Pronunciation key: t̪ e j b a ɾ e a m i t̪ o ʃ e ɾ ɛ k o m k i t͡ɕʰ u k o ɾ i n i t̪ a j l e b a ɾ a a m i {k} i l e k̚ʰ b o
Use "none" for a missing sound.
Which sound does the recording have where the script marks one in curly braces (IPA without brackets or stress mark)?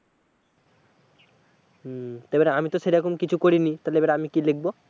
k